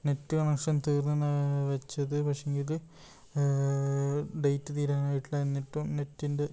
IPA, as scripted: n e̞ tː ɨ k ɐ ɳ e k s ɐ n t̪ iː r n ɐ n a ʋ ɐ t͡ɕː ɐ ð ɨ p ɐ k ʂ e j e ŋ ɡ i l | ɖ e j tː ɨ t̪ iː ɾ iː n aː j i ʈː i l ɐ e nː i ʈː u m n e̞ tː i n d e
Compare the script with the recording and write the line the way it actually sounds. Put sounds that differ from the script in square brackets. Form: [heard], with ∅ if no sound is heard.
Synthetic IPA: n e̞ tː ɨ k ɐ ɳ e k [ʂ] ɐ n t̪ iː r n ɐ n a ʋ ɐ t͡ɕː ɐ ð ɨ p ɐ k ʂ e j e ŋ ɡ i l | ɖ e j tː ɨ t̪ iː ɾ [aː] n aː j i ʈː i l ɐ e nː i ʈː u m n e̞ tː i n d e